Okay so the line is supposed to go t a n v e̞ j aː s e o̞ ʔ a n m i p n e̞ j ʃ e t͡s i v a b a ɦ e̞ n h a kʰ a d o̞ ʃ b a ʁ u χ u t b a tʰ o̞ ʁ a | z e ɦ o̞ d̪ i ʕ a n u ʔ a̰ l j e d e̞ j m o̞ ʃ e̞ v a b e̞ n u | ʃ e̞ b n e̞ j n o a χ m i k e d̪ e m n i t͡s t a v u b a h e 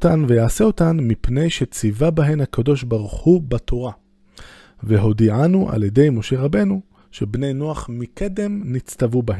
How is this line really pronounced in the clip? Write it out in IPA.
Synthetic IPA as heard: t a n v e̞ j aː s e o̞ t a n m i p n e̞ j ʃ e t͡s i v a b a ɦ e̞ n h a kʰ a d o̞ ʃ b a ʁ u χ u b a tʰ o̞ ʁ a | v e ɦ o̞ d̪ i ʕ a n u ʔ a̰ l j e d e̞ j m o̞ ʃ e̞ ʁ a b e̞ n u | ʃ e̞ b n e̞ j n o a χ m i k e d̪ e m n i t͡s t a v u b a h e